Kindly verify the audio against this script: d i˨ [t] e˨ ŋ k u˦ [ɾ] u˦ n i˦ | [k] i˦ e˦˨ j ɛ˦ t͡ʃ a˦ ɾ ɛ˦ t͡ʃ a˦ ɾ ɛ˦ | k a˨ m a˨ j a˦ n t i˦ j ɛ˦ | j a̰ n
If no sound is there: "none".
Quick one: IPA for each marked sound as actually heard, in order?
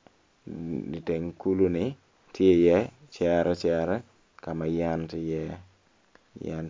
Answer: t, l, t

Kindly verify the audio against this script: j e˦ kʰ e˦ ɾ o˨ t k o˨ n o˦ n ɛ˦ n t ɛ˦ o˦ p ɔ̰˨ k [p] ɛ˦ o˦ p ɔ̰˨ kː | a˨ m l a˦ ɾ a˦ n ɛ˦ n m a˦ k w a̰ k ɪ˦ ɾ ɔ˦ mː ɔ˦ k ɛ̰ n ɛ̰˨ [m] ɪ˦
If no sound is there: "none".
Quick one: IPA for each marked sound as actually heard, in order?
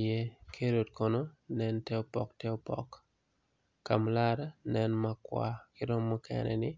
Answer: t, n

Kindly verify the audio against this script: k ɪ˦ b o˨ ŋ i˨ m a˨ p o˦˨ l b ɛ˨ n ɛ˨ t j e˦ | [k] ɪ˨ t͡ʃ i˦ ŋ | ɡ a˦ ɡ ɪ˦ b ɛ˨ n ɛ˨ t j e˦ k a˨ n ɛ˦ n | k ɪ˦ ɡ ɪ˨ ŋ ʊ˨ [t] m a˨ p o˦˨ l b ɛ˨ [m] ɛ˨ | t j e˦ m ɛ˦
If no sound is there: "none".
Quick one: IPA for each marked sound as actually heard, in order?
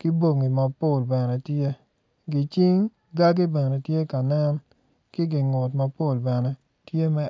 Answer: ɡ, t, n

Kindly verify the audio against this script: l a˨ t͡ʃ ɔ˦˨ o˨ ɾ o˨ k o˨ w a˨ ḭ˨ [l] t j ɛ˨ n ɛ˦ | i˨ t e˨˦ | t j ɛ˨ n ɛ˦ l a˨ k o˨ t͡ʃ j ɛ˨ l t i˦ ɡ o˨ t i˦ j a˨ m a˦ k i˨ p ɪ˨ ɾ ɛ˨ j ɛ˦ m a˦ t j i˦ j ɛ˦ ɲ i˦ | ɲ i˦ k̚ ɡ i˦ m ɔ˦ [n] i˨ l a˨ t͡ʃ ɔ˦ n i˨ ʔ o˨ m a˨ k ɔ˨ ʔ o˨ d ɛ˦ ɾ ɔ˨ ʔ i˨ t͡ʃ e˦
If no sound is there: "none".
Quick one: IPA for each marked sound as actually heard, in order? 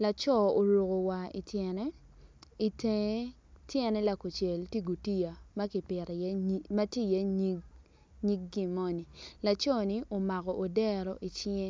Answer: none, n

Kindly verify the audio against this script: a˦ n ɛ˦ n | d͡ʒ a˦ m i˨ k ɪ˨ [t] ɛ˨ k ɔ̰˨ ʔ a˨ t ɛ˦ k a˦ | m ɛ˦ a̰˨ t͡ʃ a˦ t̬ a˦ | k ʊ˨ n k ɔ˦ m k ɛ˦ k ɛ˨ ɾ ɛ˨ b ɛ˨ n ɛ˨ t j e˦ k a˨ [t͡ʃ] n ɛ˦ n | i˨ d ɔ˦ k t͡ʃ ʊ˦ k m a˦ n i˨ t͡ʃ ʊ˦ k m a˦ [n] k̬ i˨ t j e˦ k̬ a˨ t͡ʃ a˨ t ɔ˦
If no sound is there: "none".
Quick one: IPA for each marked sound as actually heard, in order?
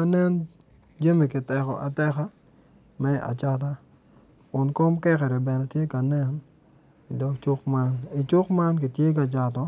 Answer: t, none, n

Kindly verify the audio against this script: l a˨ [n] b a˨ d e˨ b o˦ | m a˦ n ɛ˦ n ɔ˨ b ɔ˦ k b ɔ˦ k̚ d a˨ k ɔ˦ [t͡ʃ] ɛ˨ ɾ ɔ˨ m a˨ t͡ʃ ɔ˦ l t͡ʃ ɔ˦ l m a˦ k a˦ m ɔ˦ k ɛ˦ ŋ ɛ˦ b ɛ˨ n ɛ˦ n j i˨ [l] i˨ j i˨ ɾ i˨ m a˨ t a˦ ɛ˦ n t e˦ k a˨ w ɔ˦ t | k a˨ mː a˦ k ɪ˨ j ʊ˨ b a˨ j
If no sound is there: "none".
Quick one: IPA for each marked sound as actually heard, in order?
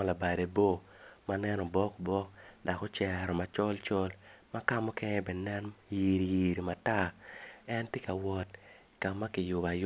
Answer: none, t͡ʃ, ɾ

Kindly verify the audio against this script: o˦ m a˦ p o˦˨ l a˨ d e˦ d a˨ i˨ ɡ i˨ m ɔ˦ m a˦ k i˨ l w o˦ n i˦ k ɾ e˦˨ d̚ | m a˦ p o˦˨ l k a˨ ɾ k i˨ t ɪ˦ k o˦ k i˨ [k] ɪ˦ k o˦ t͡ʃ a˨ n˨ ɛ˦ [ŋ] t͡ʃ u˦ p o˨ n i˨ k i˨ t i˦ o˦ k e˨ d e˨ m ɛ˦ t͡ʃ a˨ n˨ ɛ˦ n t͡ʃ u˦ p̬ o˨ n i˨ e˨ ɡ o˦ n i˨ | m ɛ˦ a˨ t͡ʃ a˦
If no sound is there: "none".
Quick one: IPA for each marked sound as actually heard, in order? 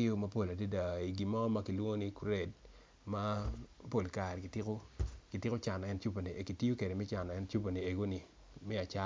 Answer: t, n

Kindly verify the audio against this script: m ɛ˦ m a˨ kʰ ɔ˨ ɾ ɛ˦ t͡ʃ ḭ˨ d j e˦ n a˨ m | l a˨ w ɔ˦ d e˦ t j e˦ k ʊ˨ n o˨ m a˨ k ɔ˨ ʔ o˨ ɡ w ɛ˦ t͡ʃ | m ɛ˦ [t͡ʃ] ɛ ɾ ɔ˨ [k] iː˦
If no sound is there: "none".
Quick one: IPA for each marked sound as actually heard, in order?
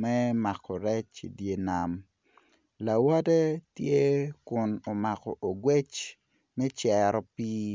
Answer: t͡ʃ, p

